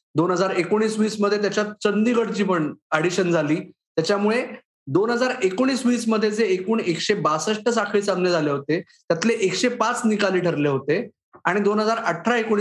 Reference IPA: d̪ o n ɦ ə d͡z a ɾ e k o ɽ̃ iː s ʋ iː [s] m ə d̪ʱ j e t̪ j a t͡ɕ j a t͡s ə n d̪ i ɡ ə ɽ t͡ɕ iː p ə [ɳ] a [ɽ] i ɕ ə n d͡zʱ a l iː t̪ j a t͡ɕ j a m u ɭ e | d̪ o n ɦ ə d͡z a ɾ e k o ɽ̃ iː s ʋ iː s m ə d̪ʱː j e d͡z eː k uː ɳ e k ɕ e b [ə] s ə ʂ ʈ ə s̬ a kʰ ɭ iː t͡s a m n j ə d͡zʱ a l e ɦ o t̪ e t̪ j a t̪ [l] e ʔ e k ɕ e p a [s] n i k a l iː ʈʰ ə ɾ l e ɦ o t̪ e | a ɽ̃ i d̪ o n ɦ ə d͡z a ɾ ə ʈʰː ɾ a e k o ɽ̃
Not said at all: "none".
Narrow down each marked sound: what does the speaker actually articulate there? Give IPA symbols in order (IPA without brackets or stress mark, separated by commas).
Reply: s, ɳ, ɽ, a, l, t͡s